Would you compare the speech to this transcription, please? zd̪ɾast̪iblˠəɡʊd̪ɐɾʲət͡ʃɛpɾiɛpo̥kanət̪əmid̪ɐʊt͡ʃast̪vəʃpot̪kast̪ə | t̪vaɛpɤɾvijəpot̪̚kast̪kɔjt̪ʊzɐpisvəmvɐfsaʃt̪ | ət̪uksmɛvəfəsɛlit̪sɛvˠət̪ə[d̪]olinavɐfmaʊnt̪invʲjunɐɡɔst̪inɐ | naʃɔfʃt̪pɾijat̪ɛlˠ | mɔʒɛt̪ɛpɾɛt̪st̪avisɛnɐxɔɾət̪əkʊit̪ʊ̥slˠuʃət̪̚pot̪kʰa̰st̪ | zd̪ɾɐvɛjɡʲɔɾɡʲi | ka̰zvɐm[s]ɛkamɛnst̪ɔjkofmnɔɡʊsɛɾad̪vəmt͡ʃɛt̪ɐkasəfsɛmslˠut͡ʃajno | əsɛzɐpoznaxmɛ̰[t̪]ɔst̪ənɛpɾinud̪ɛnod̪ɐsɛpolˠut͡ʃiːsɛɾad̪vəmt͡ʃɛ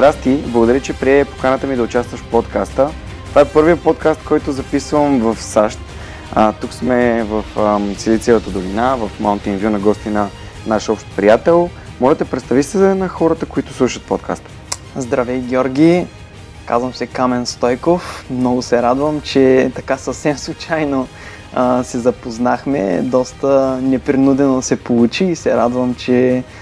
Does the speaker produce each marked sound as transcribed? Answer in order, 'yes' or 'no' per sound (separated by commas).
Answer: yes, yes, no